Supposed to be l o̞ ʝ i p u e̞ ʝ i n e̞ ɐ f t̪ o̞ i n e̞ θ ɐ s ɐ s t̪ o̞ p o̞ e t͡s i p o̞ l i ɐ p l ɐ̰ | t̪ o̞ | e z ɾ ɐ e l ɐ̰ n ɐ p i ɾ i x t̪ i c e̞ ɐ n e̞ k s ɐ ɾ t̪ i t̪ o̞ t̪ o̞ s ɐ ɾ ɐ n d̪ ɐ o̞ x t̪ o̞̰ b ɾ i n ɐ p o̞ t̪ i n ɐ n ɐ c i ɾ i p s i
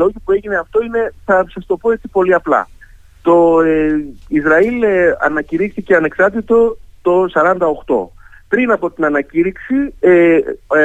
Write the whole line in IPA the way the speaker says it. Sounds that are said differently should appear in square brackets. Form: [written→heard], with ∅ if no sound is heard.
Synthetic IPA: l o̞ ʝ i p u e̞ ʝ i n e̞ ɐ f t̪ o̞ i n e̞ θ ɐ s ɐ s t̪ o̞ p o̞ e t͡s i p o̞ l i ɐ p l ɐ̰ | t̪ o̞ | [e→i] z ɾ ɐ [e→i] l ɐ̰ n ɐ [p→c] i ɾ i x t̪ i c e̞ ɐ n e̞ k s ɐ ɾ t̪ i t̪ o̞ t̪ o̞ s ɐ ɾ ɐ n d̪ ɐ o̞ x t̪ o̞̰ [b→p] ɾ i n ɐ p o̞ t̪ i n ɐ n ɐ c i ɾ i [p→k] s i